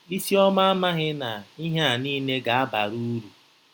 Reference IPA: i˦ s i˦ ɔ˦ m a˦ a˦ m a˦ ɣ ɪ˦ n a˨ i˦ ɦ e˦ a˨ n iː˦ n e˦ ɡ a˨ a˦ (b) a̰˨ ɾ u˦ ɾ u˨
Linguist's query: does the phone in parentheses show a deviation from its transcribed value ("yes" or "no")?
no